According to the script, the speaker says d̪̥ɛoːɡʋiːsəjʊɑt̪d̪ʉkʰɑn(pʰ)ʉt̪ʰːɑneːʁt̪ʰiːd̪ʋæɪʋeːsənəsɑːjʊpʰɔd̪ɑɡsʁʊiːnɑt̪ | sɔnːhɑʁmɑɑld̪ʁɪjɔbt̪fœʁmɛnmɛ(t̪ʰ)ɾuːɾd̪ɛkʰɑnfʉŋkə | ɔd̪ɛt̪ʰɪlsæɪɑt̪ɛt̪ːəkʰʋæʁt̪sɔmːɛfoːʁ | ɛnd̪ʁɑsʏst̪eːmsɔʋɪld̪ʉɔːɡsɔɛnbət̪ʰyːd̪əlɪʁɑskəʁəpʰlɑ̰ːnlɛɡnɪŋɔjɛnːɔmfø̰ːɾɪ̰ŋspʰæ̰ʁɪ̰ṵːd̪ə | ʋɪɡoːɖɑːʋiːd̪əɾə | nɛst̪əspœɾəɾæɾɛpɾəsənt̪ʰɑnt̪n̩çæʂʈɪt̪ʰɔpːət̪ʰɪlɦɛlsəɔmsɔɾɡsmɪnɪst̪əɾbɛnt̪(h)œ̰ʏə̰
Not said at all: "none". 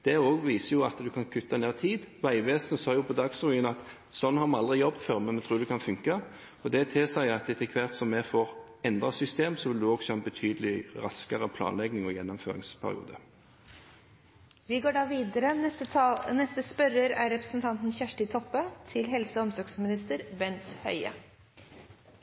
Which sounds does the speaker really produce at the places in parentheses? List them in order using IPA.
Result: kʰ, t̪ʰ, h

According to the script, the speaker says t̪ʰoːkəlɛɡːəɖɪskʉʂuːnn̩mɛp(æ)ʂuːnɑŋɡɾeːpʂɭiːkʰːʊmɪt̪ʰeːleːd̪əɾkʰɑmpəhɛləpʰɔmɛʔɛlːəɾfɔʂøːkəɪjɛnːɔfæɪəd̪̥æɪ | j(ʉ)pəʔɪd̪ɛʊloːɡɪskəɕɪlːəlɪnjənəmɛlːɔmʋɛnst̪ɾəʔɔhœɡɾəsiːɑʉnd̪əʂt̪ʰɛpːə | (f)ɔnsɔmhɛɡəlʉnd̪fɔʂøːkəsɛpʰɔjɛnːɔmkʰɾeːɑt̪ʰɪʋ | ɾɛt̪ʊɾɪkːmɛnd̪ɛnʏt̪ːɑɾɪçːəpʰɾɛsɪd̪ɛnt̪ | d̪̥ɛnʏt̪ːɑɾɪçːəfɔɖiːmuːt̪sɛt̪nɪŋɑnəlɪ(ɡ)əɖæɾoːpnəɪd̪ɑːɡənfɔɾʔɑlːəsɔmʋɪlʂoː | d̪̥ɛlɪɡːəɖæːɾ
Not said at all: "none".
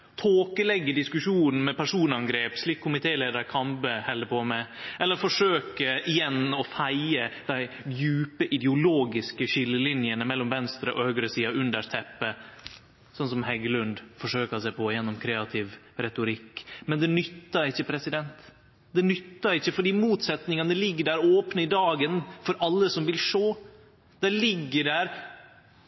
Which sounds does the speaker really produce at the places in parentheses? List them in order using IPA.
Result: æ, ʉː, s, ɡː

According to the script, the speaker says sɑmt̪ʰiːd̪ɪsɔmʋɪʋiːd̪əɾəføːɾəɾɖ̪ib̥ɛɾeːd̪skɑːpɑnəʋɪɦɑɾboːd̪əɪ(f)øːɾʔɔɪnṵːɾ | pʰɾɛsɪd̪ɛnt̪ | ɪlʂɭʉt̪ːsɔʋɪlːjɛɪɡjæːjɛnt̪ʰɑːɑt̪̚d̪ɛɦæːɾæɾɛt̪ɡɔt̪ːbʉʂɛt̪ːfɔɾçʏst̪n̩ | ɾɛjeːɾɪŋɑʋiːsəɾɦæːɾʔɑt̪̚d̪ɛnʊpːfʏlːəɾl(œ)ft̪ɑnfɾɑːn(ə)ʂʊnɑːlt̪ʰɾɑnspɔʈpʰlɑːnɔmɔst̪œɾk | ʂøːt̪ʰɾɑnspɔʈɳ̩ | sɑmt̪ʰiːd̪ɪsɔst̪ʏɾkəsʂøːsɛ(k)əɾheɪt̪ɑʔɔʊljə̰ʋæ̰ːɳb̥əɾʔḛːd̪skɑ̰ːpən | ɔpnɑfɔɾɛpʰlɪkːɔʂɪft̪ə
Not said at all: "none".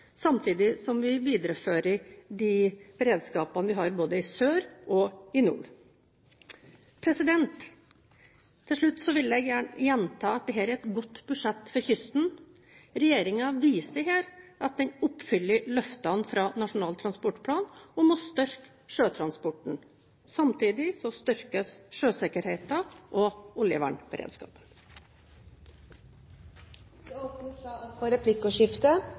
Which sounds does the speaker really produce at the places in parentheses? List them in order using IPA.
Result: s, œ, ɑ, k

